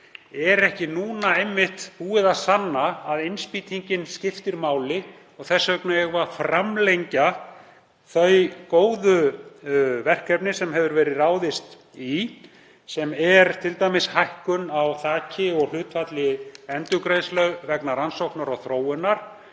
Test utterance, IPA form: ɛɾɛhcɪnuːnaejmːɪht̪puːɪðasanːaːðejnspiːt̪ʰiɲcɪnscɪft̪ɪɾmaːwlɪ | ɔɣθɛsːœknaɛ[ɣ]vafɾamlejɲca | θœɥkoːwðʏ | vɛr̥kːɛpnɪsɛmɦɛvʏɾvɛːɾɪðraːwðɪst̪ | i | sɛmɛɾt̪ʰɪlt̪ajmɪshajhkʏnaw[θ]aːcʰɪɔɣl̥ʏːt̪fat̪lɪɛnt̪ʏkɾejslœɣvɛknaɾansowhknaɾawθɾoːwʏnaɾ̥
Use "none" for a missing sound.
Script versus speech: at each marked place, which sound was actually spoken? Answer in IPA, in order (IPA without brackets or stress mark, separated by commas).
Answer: ɣ, θ